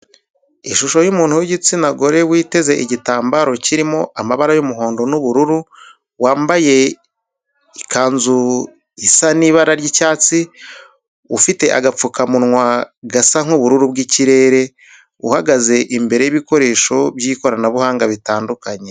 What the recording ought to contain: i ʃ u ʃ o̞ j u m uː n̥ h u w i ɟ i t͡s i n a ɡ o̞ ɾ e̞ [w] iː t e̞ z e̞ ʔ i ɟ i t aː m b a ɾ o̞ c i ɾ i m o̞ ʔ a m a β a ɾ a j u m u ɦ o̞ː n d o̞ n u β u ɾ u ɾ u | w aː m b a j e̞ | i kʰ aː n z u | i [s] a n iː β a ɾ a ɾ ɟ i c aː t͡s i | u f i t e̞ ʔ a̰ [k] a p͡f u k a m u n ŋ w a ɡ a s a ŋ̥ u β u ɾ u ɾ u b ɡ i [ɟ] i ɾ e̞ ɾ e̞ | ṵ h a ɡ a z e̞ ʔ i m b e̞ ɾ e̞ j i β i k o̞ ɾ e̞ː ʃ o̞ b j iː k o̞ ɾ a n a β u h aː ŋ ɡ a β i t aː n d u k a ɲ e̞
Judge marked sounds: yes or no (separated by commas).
yes, yes, no, no